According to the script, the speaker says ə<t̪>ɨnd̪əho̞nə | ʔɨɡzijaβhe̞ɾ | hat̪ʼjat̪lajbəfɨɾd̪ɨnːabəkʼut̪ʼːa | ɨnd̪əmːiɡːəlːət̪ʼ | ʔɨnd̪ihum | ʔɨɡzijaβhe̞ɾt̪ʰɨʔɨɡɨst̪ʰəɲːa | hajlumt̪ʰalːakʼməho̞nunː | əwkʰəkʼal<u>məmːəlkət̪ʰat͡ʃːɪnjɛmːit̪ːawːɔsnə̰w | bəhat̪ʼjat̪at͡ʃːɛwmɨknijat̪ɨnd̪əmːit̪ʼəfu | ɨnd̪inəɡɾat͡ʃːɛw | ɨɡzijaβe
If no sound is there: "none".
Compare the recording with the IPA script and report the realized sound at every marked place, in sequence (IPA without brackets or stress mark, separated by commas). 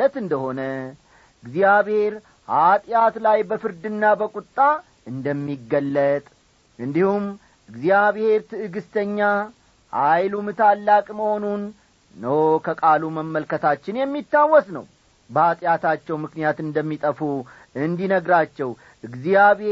t̪, u